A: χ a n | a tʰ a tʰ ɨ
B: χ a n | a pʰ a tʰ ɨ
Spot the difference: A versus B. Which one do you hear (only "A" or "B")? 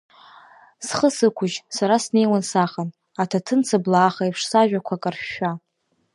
A